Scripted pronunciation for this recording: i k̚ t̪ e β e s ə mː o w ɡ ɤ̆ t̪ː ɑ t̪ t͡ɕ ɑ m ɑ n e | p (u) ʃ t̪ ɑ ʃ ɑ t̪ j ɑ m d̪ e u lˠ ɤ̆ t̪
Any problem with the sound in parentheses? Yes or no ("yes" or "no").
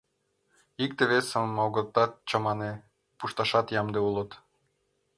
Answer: no